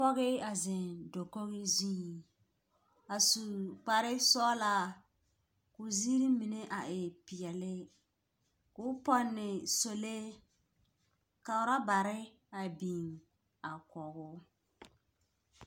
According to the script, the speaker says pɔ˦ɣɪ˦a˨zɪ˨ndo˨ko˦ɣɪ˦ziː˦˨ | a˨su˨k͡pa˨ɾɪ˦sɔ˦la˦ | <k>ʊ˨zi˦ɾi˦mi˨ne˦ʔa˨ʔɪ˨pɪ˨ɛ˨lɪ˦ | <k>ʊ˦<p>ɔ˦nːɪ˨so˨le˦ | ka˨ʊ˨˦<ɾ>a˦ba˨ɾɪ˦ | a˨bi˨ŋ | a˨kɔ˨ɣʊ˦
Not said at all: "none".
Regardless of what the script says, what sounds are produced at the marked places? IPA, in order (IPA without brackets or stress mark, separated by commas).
k, k, p, ɾ